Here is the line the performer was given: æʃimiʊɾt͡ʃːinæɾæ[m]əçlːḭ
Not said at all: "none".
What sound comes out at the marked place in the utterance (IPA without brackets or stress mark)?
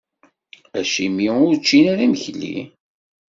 m